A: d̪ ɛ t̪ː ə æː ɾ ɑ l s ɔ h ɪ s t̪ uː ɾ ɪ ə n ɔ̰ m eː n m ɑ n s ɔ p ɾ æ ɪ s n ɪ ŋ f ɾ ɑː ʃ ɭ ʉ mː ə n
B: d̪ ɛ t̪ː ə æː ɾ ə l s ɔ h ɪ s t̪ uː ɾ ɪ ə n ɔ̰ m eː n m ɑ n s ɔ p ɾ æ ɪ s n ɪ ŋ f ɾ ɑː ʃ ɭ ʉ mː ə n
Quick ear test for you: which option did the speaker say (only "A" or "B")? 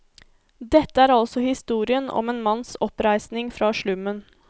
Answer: A